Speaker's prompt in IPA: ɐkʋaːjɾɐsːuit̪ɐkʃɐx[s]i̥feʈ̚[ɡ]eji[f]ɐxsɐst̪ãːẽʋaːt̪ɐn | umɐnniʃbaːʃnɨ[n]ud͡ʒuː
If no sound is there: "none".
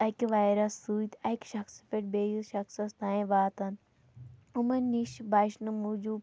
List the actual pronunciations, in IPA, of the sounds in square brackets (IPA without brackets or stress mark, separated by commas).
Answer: s, b, ʃ, m